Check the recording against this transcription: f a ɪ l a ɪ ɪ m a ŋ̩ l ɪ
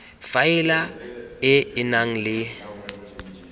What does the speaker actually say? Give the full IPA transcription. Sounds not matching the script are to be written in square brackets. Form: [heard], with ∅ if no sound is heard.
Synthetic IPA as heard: f a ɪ l a ɪ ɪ [n] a ŋ̩ l ɪ